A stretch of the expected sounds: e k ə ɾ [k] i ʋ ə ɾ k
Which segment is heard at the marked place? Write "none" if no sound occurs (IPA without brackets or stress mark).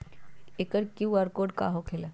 k